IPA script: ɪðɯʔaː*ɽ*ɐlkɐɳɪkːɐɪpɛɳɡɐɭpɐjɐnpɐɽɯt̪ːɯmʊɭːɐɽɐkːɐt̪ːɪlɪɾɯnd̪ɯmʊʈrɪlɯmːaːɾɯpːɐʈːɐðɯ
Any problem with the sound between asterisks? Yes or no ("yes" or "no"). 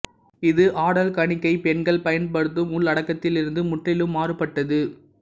no